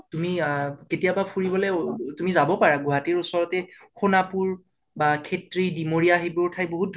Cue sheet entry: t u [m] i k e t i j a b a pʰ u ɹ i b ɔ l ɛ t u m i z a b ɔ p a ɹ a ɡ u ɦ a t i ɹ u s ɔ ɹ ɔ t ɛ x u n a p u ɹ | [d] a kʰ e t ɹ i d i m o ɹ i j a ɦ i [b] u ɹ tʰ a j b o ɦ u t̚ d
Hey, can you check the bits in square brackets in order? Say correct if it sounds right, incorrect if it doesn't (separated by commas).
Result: correct, incorrect, correct